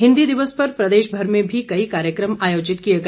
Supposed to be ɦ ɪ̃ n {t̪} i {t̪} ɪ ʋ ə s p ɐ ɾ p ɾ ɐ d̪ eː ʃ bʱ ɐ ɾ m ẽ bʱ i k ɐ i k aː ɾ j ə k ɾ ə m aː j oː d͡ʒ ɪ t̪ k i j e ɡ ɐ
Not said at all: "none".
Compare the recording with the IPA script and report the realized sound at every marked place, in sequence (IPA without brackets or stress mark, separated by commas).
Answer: d̪, d̪